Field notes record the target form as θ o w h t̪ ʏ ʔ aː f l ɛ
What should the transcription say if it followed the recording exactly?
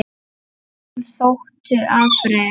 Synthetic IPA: θ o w h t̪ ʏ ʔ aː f ɾ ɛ